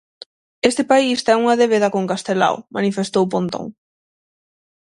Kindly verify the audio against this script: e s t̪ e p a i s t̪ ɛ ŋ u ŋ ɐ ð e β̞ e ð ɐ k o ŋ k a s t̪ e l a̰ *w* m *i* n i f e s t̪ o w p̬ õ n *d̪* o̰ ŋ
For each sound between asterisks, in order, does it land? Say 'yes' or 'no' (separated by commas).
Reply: yes, no, no